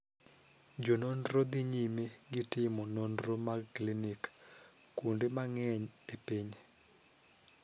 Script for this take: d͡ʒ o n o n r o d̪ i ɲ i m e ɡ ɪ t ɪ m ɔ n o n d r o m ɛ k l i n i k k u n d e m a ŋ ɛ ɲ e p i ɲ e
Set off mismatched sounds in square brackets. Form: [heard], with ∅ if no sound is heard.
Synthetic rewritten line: d͡ʒ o n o n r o d̪ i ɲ i m e ɡ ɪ t ɪ m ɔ n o n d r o m [a] k l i n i k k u n d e m a ŋ ɛ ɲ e p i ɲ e